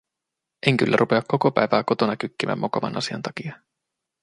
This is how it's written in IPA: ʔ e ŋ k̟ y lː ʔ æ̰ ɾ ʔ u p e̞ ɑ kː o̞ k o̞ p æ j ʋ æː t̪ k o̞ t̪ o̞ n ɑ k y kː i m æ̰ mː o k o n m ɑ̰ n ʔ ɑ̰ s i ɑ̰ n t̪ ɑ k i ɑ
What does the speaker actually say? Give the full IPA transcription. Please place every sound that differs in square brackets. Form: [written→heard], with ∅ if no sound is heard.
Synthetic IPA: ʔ e ŋ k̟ y lː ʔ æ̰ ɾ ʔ u p e̞ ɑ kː o̞ k o̞ p æ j ʋ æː [t̪→∅] k o̞ t̪ o̞ n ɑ k y kː i m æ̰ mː o k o [n→∅] m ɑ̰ n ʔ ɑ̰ s i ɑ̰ n t̪ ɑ k i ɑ